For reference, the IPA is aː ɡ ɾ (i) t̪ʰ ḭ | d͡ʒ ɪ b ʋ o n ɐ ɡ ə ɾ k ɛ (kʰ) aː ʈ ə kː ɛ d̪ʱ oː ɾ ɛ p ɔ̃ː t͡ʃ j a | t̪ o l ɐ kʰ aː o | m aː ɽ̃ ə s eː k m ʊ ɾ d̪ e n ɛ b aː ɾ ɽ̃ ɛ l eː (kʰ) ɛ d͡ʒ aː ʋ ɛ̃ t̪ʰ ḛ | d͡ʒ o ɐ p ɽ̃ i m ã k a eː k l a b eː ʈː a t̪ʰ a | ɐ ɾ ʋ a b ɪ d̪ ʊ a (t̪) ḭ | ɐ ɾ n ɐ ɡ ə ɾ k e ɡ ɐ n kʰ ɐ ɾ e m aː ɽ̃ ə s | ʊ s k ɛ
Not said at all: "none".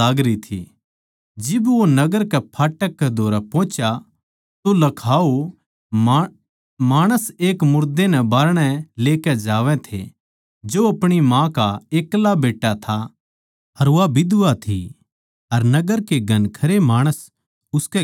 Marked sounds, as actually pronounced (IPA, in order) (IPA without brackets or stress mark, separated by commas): i, pʰ, k, t̪ʰ